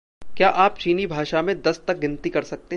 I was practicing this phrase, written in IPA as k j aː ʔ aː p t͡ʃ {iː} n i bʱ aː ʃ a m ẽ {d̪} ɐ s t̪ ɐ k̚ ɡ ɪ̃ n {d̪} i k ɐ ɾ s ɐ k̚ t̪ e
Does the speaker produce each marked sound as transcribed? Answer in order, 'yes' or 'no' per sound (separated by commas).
yes, yes, no